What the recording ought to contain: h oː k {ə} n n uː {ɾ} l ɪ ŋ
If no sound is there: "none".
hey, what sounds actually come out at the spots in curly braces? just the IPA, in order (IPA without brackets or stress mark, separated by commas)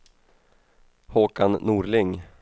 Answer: a, ɾ